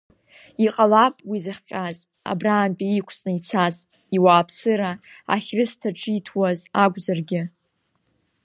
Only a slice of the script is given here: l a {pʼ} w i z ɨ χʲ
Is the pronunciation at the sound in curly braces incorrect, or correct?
correct